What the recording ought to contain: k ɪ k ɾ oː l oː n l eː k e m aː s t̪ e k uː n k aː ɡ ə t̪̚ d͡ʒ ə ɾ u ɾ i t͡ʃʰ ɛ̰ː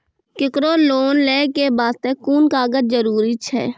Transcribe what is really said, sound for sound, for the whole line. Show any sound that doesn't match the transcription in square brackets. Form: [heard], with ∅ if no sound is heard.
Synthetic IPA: k ɪ k ɾ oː l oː n l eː k e [b] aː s t̪ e k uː n k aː ɡ ə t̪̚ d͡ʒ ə ɾ [uː] ɾ i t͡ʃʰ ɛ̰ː